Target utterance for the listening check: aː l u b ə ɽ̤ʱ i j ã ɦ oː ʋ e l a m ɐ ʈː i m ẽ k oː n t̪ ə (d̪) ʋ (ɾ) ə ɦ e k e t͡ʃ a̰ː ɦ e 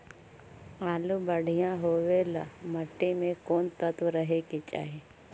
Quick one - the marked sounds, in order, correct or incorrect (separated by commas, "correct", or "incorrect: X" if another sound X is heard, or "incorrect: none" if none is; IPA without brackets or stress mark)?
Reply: incorrect: t̪, correct